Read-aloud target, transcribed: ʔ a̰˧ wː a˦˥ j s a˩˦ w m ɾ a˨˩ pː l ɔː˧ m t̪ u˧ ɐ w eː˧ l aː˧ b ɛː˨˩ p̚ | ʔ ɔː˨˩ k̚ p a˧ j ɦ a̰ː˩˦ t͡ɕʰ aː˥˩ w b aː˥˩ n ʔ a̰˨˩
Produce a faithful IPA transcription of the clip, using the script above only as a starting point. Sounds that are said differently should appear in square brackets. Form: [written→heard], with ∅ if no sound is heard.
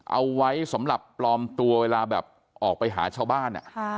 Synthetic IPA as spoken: ʔ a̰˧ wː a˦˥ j s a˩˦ [w→∅] m ɾ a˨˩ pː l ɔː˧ m t̪ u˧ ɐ w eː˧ l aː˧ b ɛː˨˩ p̚ | ʔ ɔː˨˩ k̚ p a˧ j ɦ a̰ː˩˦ t͡ɕʰ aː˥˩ w b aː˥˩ n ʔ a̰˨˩